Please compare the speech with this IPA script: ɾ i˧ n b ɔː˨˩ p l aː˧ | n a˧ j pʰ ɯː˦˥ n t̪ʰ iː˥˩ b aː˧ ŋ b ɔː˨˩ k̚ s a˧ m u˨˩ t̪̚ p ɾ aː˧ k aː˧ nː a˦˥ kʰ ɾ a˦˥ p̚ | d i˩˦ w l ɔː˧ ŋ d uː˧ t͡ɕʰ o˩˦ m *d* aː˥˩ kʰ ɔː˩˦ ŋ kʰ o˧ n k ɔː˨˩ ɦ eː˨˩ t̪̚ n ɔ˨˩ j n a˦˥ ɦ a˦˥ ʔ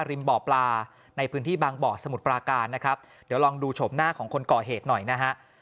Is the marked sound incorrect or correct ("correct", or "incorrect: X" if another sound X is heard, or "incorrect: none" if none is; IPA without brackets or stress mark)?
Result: incorrect: n